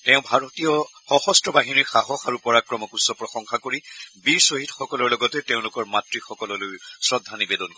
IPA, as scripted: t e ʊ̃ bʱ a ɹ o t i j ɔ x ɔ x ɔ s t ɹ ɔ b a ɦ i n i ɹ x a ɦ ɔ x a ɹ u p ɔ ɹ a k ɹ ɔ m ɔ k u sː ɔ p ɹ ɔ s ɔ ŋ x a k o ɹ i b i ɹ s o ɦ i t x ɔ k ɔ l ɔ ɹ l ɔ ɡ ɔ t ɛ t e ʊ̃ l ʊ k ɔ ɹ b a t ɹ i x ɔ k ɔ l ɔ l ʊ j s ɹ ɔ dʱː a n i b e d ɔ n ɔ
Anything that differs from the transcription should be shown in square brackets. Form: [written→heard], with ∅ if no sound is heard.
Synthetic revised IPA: t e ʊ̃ bʱ a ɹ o t i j ɔ x ɔ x ɔ s t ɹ ɔ b a ɦ i n i ɹ x a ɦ ɔ x a ɹ u p ɔ ɹ a k ɹ ɔ m ɔ k u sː ɔ p ɹ ɔ [s→x] ɔ ŋ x a k o ɹ i b i ɹ s o ɦ i t x ɔ k ɔ l ɔ ɹ l ɔ ɡ ɔ t ɛ t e ʊ̃ l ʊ k ɔ ɹ [b→m] a t ɹ i x ɔ k ɔ l ɔ l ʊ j s ɹ ɔ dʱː a n i b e d ɔ n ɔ